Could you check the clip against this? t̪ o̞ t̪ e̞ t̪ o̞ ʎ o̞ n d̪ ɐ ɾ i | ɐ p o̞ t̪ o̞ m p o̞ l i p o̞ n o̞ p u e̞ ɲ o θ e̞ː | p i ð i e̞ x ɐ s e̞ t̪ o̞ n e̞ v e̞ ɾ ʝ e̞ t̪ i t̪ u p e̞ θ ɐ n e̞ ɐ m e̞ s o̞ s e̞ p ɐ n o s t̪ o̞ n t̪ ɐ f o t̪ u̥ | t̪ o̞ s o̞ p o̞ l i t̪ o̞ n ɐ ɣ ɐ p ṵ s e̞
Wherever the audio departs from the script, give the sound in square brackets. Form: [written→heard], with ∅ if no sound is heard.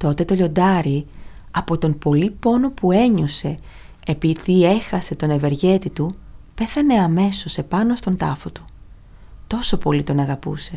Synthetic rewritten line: t̪ o̞ t̪ e̞ t̪ o̞ ʎ o̞ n d̪ ɐ ɾ i | ɐ p o̞ t̪ o̞ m p o̞ l i p o̞ n o̞ p u e̞ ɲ o [θ→s] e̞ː | p i ð i e̞ x ɐ s e̞ t̪ o̞ n e̞ v e̞ ɾ ʝ e̞ t̪ i t̪ u p e̞ θ ɐ n e̞ ɐ m e̞ s o̞ s e̞ p ɐ n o s t̪ o̞ n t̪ ɐ f o t̪ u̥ | t̪ o̞ s o̞ p o̞ l i t̪ o̞ n ɐ ɣ ɐ p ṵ s e̞